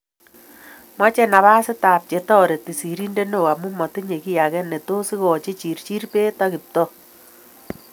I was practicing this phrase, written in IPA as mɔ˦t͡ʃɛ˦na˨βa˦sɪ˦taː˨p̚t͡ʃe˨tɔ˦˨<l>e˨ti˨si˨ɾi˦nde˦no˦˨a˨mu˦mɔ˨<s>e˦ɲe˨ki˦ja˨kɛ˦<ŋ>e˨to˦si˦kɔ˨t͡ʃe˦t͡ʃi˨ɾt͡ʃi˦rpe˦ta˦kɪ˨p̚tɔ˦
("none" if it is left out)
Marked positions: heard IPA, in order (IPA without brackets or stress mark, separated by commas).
ɾ, t, n